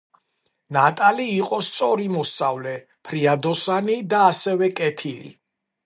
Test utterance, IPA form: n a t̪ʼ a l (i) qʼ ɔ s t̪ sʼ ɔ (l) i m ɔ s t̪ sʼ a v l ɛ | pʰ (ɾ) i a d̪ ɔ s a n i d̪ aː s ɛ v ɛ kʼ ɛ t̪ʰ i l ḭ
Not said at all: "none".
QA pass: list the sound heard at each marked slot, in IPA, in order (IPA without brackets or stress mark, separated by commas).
iː, ɾ, ɾ